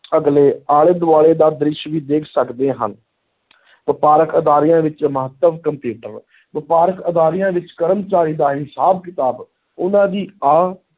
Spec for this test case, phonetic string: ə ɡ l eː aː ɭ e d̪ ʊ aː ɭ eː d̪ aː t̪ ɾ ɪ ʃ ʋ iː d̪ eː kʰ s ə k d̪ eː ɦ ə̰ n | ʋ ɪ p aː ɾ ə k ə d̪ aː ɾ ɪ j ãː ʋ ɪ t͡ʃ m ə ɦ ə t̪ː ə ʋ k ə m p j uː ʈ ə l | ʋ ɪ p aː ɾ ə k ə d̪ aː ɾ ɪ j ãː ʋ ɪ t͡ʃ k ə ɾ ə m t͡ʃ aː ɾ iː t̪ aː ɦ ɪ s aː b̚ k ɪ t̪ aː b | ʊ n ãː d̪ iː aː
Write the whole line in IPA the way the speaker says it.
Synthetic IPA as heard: ə ɡ l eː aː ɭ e d̪ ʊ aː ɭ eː d̪ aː d̪ ɾ ɪ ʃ ʋ iː d̪ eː kʰ s ə k d̪ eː ɦ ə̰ n | ʋ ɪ p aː ɾ ə k ə d̪ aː ɾ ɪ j ãː ʋ ɪ t͡ʃ m ə ɦ ə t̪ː ə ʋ k ə m p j uː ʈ ə ɾ | ʋ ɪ p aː ɾ ə k ə d̪ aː ɾ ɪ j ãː ʋ ɪ t͡ʃ k ə ɾ ə m t͡ʃ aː ɾ iː d̪ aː ɦ ɪ s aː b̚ k ɪ t̪ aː b | ʊ n ãː d̪ iː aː